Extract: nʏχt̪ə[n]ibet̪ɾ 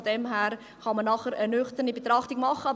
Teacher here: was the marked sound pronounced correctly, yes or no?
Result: yes